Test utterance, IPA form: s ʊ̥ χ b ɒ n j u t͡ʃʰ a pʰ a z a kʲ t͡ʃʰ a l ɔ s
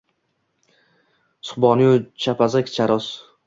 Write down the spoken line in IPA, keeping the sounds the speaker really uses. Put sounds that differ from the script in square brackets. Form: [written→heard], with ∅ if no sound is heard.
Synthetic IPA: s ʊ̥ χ b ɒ n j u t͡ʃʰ a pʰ a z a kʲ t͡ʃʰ a [l→ɾ] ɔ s